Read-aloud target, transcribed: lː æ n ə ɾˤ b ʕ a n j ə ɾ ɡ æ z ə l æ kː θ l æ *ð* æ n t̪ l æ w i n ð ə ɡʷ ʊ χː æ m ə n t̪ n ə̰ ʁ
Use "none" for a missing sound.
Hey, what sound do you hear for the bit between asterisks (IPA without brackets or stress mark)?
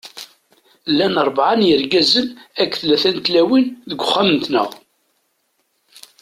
θ